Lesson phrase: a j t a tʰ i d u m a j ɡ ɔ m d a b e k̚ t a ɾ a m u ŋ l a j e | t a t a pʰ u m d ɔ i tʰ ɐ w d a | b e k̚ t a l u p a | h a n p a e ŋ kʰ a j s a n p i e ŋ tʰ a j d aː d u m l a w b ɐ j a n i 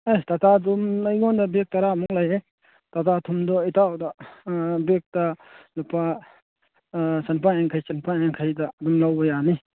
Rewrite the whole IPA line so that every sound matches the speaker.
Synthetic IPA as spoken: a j t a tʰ a d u m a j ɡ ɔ n d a b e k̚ t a ɾ a m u ŋ l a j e | t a t a tʰ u m d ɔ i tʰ a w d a | b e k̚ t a l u p a | s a n p a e ŋ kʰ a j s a n p a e ŋ kʰ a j d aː d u m l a w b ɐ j a n i